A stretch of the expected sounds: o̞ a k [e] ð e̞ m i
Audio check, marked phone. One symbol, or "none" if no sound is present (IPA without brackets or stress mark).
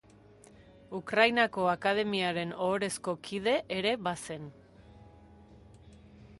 a